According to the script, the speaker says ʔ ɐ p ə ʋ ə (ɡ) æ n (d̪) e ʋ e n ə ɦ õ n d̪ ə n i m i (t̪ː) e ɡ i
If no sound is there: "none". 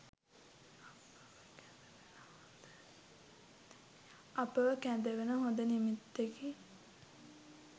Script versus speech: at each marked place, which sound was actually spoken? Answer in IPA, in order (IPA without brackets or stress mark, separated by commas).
k, d̪, t̪ː